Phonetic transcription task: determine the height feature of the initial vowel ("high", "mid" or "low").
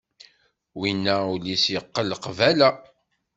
high